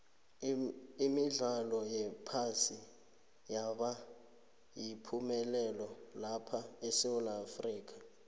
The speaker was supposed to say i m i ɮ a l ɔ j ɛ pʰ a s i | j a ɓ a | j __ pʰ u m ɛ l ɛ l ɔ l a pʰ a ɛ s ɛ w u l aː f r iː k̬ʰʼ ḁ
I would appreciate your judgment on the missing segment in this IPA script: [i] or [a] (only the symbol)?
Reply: i